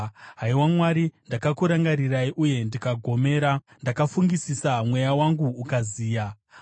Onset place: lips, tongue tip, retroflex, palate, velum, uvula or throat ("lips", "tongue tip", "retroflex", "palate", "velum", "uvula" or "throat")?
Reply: throat